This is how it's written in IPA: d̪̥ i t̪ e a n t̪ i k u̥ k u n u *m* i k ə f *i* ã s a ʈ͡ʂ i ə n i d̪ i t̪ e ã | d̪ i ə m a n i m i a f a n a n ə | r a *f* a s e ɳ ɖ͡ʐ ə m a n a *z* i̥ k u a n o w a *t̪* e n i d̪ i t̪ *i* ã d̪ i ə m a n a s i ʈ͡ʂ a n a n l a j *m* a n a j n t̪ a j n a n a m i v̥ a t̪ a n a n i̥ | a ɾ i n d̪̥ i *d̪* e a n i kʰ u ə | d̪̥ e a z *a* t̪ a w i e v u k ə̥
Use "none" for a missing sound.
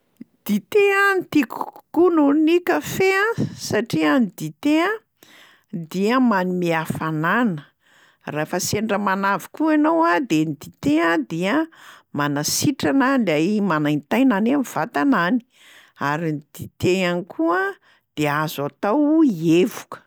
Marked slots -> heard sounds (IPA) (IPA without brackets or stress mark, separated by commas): n, e, f, v, d̪, e, m, t̪, a